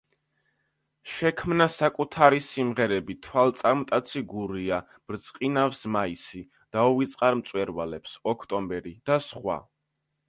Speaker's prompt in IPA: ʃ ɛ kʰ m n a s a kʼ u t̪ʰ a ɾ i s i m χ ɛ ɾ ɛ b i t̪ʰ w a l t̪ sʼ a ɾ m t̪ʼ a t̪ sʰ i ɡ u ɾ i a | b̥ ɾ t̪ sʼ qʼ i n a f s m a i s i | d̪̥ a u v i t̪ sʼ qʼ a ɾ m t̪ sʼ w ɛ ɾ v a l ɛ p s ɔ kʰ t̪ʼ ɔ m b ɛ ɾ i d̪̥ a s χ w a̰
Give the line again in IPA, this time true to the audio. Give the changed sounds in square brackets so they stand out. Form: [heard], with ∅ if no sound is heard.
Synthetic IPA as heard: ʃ ɛ kʰ m n a s a kʼ u t̪ʰ a ɾ i s i m [ʁ] ɛ ɾ ɛ b i t̪ʰ w a l t̪ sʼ a ɾ m t̪ʼ a t̪ sʰ i ɡ u ɾ i a | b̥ ɾ t̪ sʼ qʼ i n a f s m a i s i | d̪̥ a u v i t̪ sʼ qʼ a ɾ m t̪ sʼ w ɛ ɾ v a l ɛ p s ɔ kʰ t̪ʼ ɔ m b ɛ ɾ i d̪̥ a s χ w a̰